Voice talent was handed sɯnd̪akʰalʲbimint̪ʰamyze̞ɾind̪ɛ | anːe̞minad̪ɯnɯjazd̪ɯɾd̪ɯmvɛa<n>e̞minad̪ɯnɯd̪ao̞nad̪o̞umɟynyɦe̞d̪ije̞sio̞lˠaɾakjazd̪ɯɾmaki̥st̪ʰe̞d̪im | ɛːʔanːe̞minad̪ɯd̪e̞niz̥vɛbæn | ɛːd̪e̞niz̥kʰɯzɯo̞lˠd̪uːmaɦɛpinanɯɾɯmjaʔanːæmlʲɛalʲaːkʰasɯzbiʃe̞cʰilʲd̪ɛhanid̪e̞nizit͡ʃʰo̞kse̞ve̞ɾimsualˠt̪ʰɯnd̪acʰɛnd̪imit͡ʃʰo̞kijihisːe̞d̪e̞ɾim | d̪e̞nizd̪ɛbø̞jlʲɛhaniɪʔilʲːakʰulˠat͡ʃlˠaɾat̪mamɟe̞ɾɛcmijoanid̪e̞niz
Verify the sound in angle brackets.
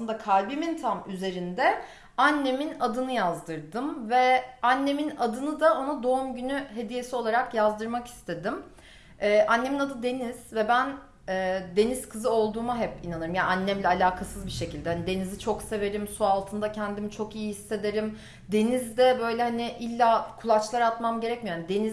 incorrect: nː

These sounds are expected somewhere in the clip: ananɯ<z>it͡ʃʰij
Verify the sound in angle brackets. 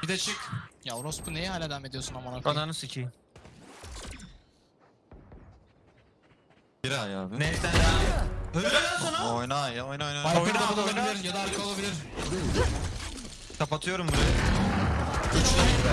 incorrect: s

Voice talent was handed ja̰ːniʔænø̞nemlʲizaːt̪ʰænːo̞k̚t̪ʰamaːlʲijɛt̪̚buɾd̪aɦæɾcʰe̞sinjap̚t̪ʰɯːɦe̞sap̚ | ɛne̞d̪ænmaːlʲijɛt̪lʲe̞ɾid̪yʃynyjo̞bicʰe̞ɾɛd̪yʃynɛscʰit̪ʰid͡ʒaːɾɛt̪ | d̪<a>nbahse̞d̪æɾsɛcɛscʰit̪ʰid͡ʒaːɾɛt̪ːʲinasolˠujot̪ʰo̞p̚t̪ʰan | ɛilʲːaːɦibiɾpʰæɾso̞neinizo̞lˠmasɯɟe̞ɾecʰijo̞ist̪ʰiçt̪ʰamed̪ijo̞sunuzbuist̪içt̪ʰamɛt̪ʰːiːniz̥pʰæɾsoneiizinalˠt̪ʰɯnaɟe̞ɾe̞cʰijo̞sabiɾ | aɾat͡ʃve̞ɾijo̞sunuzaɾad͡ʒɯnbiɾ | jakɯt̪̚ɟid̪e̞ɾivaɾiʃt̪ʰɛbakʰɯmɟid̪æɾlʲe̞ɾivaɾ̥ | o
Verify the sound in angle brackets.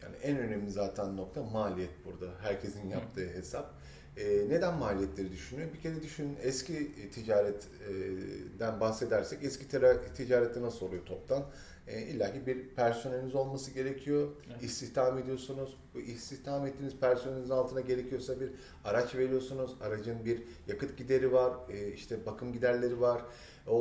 incorrect: æ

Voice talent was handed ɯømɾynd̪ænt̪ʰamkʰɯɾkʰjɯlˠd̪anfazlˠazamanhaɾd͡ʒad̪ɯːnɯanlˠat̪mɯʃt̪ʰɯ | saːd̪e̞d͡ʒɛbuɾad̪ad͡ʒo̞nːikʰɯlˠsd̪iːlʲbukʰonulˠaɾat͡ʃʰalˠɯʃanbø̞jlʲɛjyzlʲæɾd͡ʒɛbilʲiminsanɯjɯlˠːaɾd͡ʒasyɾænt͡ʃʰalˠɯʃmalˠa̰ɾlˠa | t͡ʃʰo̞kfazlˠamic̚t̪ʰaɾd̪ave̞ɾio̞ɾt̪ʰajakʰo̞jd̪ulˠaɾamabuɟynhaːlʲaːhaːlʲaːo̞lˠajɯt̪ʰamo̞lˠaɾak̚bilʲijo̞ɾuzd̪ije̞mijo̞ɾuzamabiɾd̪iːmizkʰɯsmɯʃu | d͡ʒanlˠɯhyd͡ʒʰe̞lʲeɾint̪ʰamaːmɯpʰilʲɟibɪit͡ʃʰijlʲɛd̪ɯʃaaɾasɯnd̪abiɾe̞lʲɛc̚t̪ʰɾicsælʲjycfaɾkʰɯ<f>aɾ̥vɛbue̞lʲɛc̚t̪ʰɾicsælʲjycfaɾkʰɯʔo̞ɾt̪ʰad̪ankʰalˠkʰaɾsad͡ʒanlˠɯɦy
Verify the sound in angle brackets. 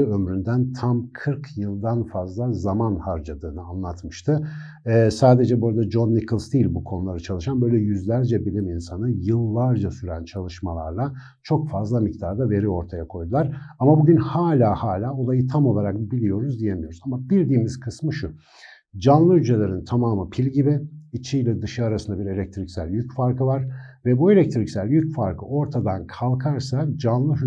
incorrect: v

